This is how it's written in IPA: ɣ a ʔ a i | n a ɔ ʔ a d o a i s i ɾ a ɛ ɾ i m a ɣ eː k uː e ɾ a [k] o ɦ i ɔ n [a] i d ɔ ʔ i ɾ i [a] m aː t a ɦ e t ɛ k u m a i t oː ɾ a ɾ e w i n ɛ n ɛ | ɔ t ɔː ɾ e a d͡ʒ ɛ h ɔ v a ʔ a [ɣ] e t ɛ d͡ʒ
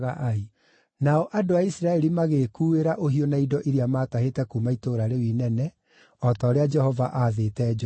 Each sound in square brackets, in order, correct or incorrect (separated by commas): incorrect, correct, correct, incorrect